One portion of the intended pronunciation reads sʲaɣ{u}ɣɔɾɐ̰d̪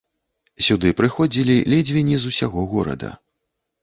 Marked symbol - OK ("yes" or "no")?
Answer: no